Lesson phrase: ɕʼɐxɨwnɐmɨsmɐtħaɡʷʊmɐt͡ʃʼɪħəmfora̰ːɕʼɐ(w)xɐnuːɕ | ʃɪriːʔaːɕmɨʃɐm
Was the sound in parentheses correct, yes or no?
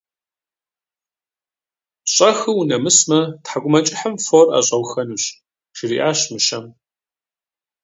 yes